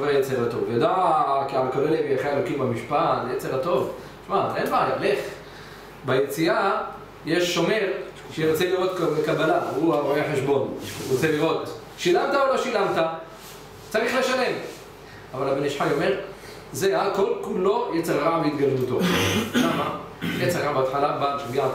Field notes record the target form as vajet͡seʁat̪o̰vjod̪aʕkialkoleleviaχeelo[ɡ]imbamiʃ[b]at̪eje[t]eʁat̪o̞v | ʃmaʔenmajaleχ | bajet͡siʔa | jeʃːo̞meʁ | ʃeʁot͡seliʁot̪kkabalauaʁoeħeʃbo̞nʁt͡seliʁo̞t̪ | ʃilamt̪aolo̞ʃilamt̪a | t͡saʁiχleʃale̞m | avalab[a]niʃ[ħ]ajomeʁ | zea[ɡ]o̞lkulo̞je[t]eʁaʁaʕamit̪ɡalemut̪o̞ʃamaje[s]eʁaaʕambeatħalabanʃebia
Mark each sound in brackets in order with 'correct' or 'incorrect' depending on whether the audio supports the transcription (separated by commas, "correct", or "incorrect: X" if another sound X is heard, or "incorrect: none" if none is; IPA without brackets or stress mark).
incorrect: k, incorrect: p, incorrect: t͡s, incorrect: e, correct, incorrect: k, incorrect: t͡s, incorrect: t͡s